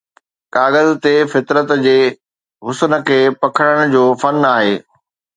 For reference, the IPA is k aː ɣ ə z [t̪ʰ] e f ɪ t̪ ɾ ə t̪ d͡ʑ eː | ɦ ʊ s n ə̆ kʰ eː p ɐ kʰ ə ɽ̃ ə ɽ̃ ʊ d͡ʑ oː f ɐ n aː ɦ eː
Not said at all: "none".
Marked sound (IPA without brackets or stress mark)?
t̪